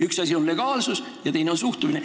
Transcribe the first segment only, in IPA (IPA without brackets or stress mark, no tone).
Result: y